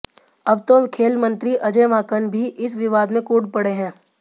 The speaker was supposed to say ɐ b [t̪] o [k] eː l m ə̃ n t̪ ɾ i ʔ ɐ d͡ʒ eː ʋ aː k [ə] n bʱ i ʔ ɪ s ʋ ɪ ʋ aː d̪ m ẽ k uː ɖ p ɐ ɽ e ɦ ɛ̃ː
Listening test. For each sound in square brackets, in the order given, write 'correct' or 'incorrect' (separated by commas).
correct, incorrect, correct